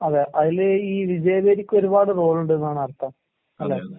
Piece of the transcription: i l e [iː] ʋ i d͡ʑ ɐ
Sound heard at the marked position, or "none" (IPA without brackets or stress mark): iː